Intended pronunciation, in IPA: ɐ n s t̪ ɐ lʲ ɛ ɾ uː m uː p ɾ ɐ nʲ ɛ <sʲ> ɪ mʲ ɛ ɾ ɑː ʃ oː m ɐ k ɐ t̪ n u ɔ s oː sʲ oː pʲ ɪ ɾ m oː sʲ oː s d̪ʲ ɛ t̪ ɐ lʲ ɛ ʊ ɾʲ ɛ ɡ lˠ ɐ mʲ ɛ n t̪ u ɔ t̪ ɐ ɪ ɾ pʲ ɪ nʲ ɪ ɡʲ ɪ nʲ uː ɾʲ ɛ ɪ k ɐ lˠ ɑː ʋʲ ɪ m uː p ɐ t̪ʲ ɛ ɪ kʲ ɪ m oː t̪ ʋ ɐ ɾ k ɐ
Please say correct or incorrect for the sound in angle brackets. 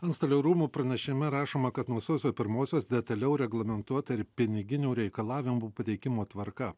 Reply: incorrect